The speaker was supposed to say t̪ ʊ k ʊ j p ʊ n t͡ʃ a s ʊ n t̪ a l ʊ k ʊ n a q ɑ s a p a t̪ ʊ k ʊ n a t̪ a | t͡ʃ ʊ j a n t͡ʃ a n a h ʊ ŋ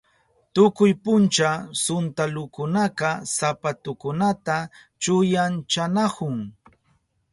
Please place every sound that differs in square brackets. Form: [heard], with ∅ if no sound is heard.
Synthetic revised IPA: t̪ ʊ k ʊ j p ʊ n t͡ʃ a s ʊ n t̪ a l ʊ k ʊ n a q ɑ s a p a t̪ ʊ k ʊ n a t̪ a | t͡ʃ ʊ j a n t͡ʃ a n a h ʊ ŋ